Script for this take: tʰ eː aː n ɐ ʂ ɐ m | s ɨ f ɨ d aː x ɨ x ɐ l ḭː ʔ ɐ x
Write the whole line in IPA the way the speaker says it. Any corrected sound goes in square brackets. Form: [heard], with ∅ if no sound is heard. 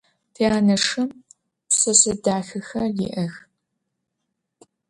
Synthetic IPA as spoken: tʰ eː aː n ɐ ʂ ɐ m | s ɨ [s] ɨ d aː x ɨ x ɐ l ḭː ʔ ɐ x